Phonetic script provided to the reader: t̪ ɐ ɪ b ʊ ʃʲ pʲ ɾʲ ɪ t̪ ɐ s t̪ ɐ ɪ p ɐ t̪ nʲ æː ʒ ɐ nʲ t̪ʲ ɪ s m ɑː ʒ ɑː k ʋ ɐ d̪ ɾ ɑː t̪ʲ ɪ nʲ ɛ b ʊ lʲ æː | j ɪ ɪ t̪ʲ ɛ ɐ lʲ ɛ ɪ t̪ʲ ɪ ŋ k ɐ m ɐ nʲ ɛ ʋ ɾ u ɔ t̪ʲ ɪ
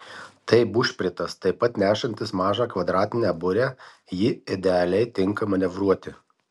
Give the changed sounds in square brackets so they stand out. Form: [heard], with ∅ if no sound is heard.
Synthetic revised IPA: t̪ ɐ ɪ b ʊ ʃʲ pʲ ɾʲ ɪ t̪ ɐ s t̪ ɐ ɪ p ɐ t̪ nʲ æː [ʃ] ɐ nʲ t̪ʲ ɪ s m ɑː ʒ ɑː k ʋ ɐ d̪ ɾ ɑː t̪ʲ ɪ nʲ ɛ b ʊ [ɾʲ] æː | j ɪ ɪ [d̪ʲ] ɛ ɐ lʲ ɛ ɪ t̪ʲ ɪ ŋ k ɐ m ɐ nʲ ɛ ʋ ɾ u ɔ t̪ʲ ɪ